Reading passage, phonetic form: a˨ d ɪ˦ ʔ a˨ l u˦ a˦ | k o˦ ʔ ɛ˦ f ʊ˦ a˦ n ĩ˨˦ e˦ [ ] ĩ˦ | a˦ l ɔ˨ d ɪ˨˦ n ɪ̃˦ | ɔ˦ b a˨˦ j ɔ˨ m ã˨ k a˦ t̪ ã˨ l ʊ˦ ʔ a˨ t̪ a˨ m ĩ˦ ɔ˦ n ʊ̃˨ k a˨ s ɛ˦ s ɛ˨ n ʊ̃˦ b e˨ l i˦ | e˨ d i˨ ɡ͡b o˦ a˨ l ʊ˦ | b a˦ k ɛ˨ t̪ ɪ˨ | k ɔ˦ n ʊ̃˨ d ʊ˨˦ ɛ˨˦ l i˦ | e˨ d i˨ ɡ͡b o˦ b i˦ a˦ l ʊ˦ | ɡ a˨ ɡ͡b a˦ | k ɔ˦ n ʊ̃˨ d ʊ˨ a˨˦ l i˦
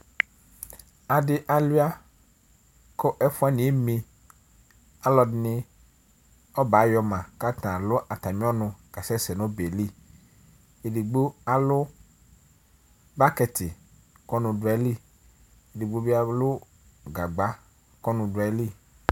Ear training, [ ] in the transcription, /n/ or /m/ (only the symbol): m